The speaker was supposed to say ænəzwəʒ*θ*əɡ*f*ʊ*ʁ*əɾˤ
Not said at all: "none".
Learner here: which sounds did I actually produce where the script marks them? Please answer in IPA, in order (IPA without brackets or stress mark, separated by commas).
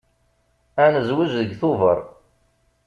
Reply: ð, θ, v